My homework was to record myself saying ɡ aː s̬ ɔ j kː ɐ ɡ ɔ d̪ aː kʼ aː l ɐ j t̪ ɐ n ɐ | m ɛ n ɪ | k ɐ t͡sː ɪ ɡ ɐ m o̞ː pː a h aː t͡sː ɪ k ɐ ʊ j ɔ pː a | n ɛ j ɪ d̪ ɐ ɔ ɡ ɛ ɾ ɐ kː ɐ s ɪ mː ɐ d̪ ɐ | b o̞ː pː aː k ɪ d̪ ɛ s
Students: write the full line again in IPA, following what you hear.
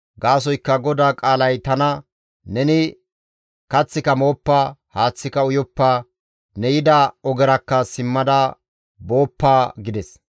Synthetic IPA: ɡ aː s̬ ɔ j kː ɐ ɡ ɔ d̪ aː kʼ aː l ɐ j t̪ ɐ n ɐ | n ɛ n ɪ | k ɐ t͡sː ɪ k ɐ m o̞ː pː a h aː t͡sː ɪ k ɐ ʊ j ɔ pː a | n ɛ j ɪ d̪ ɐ ɔ ɡ ɛ ɾ ɐ kː ɐ s ɪ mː ɐ d̪ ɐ | b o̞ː pː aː ɡ ɪ d̪ ɛ s

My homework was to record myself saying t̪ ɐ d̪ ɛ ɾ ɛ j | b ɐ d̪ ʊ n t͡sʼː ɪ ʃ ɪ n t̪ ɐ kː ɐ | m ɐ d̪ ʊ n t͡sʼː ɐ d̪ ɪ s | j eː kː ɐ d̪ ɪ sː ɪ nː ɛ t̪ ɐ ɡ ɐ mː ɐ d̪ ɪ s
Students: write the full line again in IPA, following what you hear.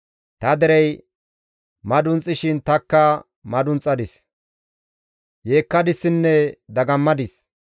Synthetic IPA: t̪ ɐ d̪ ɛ ɾ ɛ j | m ɐ d̪ ʊ n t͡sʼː ɪ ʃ ɪ n t̪ ɐ kː ɐ | m ɐ d̪ ʊ n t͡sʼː ɐ d̪ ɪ s | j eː kː ɐ d̪ ɪ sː ɪ nː ɛ d̪ ɐ ɡ ɐ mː ɐ d̪ ɪ s

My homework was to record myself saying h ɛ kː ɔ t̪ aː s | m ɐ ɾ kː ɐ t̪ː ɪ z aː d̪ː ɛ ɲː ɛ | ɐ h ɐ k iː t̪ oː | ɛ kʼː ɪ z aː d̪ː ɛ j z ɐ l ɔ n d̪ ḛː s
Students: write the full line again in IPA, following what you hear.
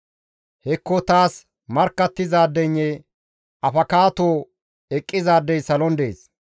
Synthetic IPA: h ɛ kː ɔ t̪ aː s | m ɐ ɾ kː ɐ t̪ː ɪ z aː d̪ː ɛ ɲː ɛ | ɐ f ɐ k aː t̪ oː | ɛ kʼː ɪ z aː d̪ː ɛ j s ɐ l ɔ n d̪ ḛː s

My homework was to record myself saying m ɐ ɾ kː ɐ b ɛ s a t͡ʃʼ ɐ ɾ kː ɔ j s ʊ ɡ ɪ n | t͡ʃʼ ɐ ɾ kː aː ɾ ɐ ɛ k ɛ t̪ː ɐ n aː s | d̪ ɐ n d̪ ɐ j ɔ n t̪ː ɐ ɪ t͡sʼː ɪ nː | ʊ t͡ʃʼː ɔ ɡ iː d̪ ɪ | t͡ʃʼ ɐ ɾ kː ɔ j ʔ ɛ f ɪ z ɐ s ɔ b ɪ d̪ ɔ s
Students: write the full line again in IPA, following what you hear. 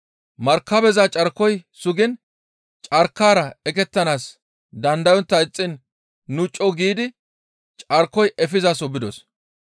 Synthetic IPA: m ɐ ɾ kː ɐ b ɛ z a t͡ʃʼ ɐ ɾ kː ɔ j s ʊ ɡ ɪ n | t͡ʃʼ ɐ ɾ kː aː ɾ ɐ ɛ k ɛ t̪ː ɐ n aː s | d̪ ɐ n d̪ ɐ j ɔ n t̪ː ɐ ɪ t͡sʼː ɪ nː | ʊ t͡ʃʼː ɔ ɡ iː d̪ ɪ | t͡ʃʼ ɐ ɾ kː ɔ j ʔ ɛ f ɪ z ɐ s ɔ b ɪ d̪ ɔ s

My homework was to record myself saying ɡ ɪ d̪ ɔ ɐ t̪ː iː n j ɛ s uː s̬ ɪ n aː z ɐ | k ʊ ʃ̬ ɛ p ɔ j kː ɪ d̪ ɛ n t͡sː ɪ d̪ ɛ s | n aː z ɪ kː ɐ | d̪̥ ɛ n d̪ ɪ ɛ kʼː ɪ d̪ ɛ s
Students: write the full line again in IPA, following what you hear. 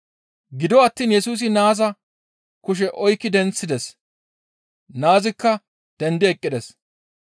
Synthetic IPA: ɡ ɪ d̪ ɔ ɐ t̪ː iː n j ɛ s uː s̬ ɪ n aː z ɐ | k ʊ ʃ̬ ɛ ʔ ɔ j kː ɪ d̪ ɛ n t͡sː ɪ d̪ ɛ s | n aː z ɪ kː ɐ | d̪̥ ɛ n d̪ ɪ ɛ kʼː ɪ d̪ ɛ s

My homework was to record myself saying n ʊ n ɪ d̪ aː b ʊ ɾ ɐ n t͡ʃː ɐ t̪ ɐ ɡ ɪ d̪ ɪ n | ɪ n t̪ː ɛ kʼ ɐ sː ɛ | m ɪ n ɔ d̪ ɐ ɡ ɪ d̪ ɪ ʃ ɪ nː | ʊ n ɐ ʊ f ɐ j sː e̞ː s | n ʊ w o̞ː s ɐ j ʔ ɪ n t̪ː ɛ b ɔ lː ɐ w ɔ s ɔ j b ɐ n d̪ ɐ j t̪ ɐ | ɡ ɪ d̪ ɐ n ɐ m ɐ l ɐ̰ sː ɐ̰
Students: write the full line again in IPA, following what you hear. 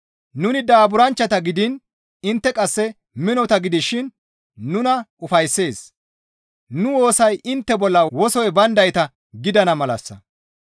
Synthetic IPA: n ʊ n ɪ d̪ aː b ʊ ɾ ɐ n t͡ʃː ɐ t̪ ɐ ɡ ɪ d̪ ɪ n | ɪ n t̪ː ɛ kʼ ɐ sː ɛ | m ɪ n ɔ t̪ ɐ ɡ ɪ d̪ ɪ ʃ ɪ nː | ʊ n ɐ ʊ f ɐ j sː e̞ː s | n ʊ w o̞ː s ɐ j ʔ ɪ n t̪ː ɛ b ɔ lː ɐ w ɔ s ɔ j b ɐ n d̪ ɐ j t̪ ɐ | ɡ ɪ d̪ ɐ n ɐ m ɐ l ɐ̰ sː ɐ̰

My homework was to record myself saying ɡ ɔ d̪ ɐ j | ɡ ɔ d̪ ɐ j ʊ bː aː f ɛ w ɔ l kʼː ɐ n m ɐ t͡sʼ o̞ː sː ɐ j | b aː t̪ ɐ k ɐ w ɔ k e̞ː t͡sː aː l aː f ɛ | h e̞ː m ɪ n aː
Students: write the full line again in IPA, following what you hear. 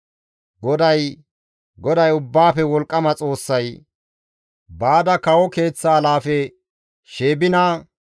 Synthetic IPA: ɡ ɔ d̪ ɐ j | ɡ ɔ d̪ ɐ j ʊ bː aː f ɛ w ɔ l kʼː ɐ m ɐ t͡sʼ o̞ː sː ɐ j | b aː d̪ ɐ k ɐ w ɔ k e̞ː t͡sː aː l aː f ɛ | ʃ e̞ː b ɪ n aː

